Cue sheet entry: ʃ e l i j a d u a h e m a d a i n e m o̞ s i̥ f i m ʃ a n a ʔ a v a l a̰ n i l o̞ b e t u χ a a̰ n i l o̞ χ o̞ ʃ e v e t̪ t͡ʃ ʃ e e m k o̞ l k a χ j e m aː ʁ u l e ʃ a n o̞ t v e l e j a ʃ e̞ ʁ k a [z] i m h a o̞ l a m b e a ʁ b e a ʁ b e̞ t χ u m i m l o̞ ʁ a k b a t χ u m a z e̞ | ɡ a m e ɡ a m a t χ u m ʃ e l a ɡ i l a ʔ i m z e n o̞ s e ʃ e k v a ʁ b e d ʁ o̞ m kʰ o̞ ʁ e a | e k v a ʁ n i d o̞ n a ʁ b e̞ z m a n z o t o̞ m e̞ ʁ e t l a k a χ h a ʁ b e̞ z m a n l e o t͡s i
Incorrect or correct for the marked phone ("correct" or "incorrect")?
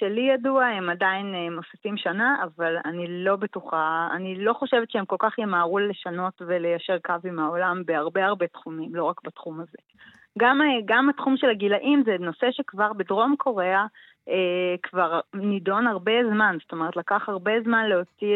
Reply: incorrect